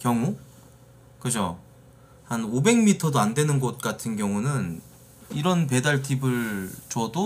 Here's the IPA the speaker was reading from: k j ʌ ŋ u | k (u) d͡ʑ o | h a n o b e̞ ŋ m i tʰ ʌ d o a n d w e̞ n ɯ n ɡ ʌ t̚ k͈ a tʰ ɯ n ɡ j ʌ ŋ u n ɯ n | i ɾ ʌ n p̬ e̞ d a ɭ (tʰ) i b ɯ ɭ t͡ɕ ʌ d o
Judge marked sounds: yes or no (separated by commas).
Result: no, yes